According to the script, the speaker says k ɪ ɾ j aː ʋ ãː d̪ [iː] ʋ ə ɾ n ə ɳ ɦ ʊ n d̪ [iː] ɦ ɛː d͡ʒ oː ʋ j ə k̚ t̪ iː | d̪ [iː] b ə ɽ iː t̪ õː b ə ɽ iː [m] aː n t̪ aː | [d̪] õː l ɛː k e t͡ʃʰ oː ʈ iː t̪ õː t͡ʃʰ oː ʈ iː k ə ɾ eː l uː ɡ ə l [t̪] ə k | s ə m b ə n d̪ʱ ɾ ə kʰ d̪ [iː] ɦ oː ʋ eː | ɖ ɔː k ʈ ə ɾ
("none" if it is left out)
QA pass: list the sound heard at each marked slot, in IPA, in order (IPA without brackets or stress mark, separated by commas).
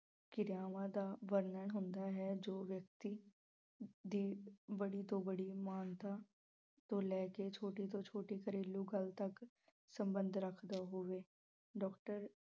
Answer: aː, aː, iː, m, t̪, t̪, aː